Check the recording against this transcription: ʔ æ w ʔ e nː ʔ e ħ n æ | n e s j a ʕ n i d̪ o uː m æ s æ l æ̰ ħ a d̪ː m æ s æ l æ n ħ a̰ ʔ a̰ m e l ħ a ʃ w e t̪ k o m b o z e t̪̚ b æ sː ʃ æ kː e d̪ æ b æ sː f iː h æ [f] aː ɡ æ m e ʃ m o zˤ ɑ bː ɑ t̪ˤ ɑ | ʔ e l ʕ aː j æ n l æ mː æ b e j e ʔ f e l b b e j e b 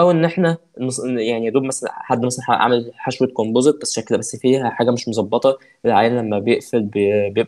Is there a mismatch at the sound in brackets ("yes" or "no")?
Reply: yes